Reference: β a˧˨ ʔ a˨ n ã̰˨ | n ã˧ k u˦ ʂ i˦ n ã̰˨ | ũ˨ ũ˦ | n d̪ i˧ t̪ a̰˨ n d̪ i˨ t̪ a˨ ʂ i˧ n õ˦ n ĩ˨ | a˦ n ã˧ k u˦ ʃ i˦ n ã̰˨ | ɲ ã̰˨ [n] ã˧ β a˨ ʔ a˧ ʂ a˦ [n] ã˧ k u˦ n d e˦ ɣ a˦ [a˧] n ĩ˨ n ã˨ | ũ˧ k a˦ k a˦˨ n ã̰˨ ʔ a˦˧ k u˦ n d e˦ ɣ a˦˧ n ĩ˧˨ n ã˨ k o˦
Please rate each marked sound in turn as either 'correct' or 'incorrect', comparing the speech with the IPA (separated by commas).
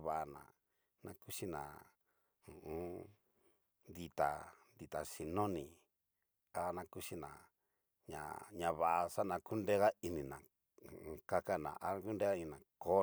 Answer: incorrect, correct, incorrect